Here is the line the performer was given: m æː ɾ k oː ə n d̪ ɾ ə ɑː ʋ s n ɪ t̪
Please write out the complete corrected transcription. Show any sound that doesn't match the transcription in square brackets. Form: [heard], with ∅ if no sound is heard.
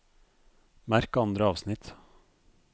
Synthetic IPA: m [æ] ɾ k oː [ɑ] n d̪ ɾ ə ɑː ʋ s n ɪ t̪